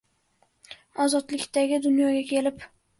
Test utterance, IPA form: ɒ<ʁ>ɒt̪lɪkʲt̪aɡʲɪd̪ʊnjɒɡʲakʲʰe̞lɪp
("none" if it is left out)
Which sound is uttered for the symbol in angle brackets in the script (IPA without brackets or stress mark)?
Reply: z